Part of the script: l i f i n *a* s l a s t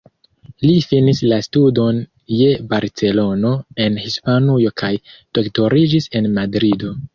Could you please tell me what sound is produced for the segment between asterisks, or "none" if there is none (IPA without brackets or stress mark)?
i